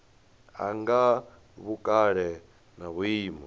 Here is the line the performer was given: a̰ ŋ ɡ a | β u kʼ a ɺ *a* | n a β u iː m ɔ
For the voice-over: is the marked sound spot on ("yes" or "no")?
no